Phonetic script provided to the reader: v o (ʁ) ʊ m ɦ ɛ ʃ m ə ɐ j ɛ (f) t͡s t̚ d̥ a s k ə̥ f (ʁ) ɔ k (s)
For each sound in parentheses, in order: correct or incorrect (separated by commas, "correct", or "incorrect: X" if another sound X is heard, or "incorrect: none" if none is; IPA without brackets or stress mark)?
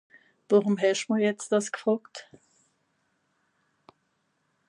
correct, incorrect: none, correct, incorrect: t